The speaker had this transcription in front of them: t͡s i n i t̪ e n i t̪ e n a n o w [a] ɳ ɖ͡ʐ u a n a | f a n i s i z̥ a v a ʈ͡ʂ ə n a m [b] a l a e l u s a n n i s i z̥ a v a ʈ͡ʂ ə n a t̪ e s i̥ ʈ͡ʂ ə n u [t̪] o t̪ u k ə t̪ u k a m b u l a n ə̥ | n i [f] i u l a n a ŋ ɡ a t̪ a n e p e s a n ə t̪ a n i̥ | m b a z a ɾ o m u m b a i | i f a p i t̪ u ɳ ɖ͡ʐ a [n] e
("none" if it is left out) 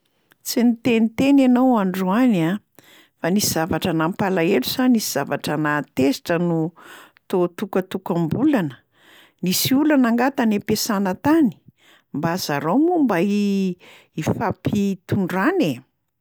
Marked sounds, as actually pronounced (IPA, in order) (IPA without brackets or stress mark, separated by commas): a, p, t̪, s, n